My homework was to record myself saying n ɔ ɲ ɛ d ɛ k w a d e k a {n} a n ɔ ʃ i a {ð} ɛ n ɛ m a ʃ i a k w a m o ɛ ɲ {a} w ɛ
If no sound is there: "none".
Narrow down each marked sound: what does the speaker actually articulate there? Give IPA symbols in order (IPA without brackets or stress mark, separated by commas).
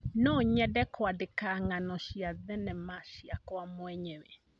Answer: ŋ, ð, ɛ